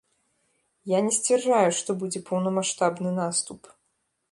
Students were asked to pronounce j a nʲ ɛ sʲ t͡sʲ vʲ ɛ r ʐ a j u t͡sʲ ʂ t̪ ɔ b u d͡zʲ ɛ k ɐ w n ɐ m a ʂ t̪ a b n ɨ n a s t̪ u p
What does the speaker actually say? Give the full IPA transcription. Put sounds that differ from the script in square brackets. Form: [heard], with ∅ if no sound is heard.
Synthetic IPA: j a nʲ ɛ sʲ t͡sʲ vʲ ɛ r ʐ a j u [∅] ʂ t̪ ɔ b u d͡zʲ ɛ [p] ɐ w n ɐ m a ʂ t̪ a b n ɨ n a s t̪ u p